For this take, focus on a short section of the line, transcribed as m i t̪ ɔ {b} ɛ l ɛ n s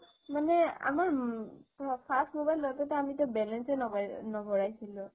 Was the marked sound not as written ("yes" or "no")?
no